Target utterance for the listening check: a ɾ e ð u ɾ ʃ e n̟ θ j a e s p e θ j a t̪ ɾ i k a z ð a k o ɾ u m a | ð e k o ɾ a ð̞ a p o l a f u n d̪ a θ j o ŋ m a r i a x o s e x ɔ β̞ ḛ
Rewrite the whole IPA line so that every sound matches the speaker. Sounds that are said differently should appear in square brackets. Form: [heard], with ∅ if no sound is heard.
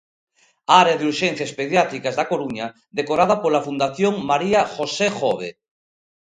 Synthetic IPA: a ɾ e ð u ɾ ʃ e n̟ θ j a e s p e [ð] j a t̪ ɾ i k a z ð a k o ɾ u [ɲ] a | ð e k o ɾ a ð̞ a p o l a f u n d̪ a θ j o ŋ m a [ɾ] i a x o s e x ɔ β̞ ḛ